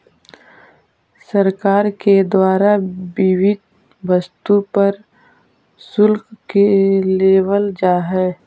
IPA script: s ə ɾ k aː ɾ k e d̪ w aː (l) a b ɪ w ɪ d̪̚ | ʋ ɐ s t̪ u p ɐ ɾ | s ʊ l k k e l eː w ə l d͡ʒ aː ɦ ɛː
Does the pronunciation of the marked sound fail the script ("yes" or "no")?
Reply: yes